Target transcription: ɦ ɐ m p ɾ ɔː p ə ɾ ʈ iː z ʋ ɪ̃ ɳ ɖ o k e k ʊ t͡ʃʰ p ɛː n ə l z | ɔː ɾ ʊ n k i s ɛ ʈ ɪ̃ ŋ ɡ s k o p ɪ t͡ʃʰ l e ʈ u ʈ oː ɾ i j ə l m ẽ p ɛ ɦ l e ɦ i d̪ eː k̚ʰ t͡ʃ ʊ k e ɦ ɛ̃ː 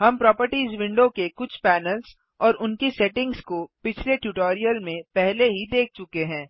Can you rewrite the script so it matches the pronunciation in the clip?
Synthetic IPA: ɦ ɐ m p ɾ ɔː p ə ɾ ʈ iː z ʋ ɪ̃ ɳ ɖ o k e k ʊ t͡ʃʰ p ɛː n ə l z | ɔː ɾ ʊ n k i s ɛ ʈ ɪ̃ ŋ ɡ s k o p ɪ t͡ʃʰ l e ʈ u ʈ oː ɾ i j ə l m ẽ p ɛ ɦ l e ɦ i d̪ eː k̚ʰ t͡ʃ ʊ k e ɦ ɛ̃ː